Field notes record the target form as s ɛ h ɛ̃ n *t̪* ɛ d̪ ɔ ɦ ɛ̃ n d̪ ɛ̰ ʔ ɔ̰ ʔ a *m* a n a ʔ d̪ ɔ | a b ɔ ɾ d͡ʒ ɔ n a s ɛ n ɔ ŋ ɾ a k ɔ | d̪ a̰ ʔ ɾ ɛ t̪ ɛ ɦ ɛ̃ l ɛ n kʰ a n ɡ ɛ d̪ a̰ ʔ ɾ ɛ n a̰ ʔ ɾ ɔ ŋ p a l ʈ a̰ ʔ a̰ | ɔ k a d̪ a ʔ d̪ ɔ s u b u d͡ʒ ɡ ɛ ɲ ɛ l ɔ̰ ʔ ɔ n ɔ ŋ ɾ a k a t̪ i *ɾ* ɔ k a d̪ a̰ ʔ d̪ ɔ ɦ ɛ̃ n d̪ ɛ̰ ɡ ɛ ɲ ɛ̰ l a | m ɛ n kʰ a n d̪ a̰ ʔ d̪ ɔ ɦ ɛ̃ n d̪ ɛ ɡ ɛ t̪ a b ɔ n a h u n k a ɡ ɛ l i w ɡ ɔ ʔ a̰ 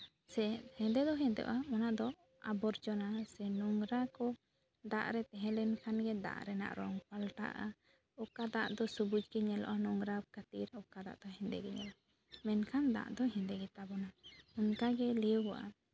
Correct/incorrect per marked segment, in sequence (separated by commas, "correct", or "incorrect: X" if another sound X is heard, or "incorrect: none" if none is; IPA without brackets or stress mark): incorrect: d̪, correct, correct